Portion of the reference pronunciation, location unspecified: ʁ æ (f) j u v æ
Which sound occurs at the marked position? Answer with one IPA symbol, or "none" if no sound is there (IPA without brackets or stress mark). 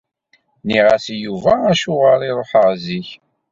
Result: s